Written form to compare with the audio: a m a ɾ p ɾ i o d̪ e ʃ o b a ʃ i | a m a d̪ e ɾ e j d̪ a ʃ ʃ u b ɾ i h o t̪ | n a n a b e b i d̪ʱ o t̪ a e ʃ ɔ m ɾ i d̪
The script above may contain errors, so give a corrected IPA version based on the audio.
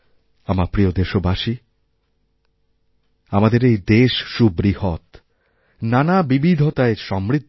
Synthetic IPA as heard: a m a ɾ p ɾ i o d̪ e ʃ o b a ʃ i | a m a d̪ e ɾ e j d̪ e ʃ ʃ u b ɾ i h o t̪ | n a n a b i b i d̪ʱ o t̪ a e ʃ ɔ m ɾ i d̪